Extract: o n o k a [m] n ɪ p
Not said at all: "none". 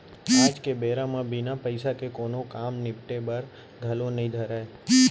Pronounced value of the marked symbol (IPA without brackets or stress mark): m